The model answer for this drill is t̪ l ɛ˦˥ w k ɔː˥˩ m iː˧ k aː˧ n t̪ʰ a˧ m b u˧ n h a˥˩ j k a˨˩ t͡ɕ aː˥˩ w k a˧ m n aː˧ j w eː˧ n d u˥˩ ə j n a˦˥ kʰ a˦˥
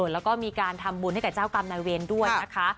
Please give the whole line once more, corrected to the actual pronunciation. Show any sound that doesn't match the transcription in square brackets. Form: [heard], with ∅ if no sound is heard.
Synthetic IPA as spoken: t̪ l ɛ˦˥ w k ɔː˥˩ m iː˧ k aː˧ n t̪ʰ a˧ m b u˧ n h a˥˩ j k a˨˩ t͡ɕ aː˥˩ w k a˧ m n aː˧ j w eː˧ n d u˥˩ ə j n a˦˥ kʰ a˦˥